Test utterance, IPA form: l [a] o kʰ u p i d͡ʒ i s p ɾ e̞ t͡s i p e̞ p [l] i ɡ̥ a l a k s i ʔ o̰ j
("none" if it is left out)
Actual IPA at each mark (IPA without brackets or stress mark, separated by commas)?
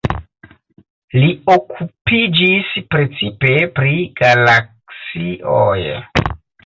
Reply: i, ɾ